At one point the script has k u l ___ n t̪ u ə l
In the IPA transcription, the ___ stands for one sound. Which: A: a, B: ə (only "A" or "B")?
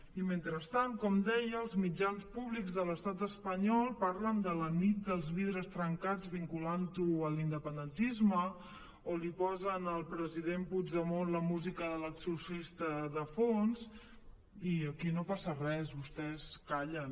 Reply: A